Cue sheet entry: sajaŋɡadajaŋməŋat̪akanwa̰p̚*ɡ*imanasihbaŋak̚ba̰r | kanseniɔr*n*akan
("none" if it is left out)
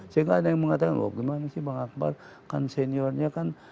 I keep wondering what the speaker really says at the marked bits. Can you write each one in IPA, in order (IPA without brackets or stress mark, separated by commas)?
ɡ, ɲ